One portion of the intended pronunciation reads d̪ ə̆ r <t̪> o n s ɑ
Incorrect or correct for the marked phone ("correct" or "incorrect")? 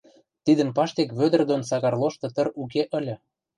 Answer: incorrect